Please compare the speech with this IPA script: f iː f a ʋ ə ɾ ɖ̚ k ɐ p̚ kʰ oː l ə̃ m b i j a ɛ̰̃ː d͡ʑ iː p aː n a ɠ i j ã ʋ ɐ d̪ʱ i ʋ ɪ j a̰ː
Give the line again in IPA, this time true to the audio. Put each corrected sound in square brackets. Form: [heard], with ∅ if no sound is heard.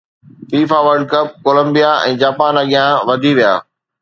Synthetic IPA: f iː f a ʋ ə ɾ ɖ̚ k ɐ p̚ [k] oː l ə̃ m b i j a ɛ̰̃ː d͡ʑ [aː] p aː n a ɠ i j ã ʋ ɐ d̪ʱ i ʋ [i] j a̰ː